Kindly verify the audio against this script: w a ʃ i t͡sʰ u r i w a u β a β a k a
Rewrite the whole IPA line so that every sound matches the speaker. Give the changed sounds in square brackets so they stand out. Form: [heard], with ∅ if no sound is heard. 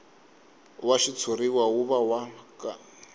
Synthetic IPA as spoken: w a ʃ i t͡sʰ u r i w a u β a [w] a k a